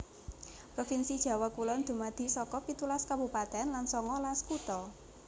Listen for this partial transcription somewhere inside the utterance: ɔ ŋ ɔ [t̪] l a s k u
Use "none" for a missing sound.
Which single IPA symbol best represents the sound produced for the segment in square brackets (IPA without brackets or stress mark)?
none